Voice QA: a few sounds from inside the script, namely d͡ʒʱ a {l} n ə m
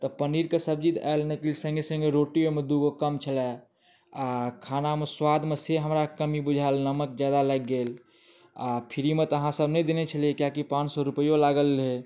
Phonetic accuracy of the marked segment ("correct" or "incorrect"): correct